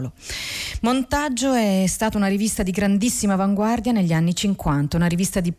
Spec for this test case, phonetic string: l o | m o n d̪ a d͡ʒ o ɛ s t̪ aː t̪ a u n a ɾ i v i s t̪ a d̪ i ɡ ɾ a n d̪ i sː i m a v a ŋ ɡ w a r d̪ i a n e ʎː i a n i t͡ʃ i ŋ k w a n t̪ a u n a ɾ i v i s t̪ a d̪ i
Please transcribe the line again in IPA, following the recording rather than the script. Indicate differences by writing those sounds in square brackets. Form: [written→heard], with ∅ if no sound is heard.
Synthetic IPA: l o | m o n [d̪→t̪] a [d͡ʒ→d͡ʒː] o ɛ s t̪ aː t̪ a u n a ɾ i v i s t̪ a d̪ i ɡ ɾ a n d̪ i sː i m a v a ŋ ɡ w a r d̪ [i→j] a n e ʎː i a [n→nː] i t͡ʃ i ŋ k w a n t̪ a u n a ɾ i v i s t̪ a d̪ i